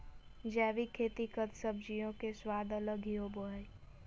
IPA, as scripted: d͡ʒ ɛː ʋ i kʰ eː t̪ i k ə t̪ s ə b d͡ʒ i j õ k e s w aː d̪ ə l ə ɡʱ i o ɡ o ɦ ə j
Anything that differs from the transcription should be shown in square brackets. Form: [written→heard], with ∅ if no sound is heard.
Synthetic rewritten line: d͡ʒ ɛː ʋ i kʰ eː t̪ i k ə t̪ s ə b d͡ʒ i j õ k e s w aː d̪ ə l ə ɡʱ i o [ɡ→b] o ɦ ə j